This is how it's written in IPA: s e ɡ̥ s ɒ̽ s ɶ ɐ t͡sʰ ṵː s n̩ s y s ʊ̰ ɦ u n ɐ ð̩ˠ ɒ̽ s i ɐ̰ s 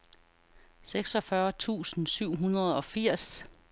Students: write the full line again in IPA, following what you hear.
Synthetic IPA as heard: s e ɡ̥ s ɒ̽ f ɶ ɐ t͡sʰ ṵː s n̩ s y ʊ̰ ɦ u n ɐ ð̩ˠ ɒ̽ f i ɐ̰ s